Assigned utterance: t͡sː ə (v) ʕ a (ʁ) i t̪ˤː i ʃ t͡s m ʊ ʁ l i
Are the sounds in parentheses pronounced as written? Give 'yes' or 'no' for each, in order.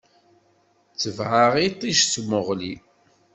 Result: yes, yes

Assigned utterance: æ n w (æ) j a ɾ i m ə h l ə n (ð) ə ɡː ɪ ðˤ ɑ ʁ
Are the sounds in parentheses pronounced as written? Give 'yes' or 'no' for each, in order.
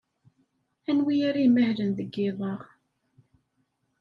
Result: no, yes

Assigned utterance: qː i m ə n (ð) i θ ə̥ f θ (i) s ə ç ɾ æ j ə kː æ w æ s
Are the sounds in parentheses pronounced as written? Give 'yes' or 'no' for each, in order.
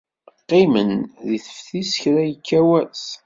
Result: yes, yes

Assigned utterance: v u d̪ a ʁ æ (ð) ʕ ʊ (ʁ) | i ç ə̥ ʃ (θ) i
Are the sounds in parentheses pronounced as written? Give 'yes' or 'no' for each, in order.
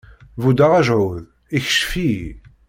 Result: no, no, no

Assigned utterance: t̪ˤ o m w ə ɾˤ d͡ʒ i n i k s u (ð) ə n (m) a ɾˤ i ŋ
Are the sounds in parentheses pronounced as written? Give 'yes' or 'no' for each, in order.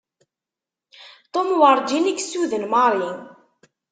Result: yes, yes

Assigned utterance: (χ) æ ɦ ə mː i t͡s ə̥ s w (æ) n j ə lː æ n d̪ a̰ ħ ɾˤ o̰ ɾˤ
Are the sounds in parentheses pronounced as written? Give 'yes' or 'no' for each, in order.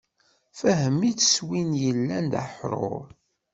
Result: no, no

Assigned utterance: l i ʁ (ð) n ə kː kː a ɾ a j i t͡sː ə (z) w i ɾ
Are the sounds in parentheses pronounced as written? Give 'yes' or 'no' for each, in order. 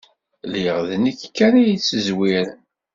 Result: yes, yes

